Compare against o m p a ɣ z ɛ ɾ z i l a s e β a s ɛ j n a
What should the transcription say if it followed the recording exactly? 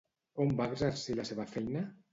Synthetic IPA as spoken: o m b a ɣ z a ɾ s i l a s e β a f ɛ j n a